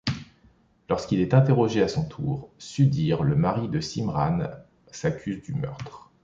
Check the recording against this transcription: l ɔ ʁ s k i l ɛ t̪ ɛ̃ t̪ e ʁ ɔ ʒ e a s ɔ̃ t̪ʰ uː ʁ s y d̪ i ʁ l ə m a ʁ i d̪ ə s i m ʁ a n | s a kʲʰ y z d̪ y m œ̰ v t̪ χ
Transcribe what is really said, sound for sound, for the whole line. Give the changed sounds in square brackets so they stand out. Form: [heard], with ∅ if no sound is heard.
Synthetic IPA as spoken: l ɔ ʁ s k i l ɛ t̪ ɛ̃ t̪ e ʁ ɔ ʒ e a s ɔ̃ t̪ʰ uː ʁ s y d̪ i ʁ l ə m a ʁ i d̪ ə s i m ʁ a n | s a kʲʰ y z d̪ y m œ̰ [ʁ] t̪ χ